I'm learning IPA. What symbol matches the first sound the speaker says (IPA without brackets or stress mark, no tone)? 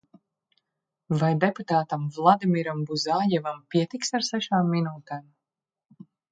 v